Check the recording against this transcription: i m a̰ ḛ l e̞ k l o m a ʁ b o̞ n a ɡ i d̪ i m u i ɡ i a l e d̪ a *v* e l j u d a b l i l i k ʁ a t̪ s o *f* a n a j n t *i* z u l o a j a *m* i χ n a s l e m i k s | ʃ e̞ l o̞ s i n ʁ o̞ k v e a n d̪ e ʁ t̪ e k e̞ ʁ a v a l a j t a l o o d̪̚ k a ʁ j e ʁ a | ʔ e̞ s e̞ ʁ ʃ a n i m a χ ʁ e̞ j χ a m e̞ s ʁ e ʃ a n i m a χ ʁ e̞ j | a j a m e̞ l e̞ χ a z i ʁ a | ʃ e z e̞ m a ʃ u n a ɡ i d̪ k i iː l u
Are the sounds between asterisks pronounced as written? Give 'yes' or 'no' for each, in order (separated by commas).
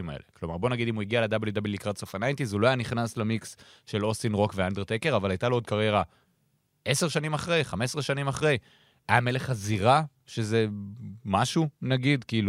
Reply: no, yes, yes, no